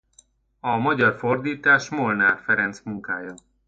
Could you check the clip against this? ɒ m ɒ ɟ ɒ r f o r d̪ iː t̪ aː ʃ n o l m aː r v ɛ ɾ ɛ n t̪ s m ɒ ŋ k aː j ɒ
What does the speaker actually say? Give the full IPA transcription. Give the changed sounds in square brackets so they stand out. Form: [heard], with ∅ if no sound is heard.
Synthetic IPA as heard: ɒ m ɒ ɟ ɒ r f o r d̪ iː t̪ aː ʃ [m] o l [n] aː r [f] ɛ ɾ ɛ n t̪ s m [u] ŋ k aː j ɒ